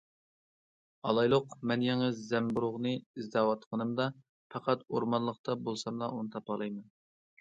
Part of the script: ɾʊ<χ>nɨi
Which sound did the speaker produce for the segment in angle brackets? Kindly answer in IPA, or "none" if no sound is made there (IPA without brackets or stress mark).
ʁ